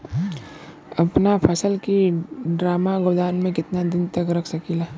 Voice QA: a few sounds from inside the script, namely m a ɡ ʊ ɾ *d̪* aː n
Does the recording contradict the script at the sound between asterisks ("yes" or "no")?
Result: no